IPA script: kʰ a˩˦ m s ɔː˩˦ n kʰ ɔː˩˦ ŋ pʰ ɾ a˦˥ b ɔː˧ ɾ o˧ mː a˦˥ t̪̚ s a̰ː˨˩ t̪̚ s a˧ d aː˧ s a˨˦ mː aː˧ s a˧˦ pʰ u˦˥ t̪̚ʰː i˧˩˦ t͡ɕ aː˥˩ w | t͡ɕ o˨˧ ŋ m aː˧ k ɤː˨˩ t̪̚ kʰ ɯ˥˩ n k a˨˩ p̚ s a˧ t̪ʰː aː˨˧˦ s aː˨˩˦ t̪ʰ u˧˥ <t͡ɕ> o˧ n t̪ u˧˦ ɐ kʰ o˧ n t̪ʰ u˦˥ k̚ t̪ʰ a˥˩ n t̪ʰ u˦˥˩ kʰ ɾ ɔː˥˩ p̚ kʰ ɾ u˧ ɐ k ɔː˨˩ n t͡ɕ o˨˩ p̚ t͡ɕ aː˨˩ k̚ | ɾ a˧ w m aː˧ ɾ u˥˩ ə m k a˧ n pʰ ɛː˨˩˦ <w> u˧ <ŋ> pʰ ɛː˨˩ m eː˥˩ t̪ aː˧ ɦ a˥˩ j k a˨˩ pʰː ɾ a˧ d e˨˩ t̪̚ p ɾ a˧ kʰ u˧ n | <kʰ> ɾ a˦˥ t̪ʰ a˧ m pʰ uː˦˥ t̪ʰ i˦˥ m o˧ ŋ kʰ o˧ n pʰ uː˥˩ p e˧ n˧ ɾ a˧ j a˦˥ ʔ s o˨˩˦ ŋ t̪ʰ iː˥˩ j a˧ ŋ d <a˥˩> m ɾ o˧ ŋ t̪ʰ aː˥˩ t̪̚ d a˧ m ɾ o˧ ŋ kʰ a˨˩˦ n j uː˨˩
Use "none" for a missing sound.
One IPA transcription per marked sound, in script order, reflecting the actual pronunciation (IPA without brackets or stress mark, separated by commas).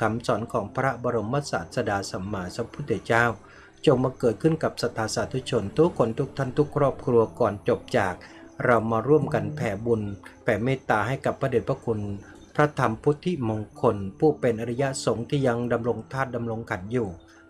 t͡ɕʰ, b, n, pʰ, a˧